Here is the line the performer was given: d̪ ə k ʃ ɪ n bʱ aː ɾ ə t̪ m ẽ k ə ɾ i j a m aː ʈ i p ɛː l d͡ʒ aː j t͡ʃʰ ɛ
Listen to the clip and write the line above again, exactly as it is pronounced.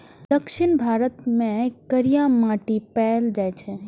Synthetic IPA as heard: d̪ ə k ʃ ɪ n bʱ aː ɾ ə t̪ m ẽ k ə ɾ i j a m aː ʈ i p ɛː l d͡ʒ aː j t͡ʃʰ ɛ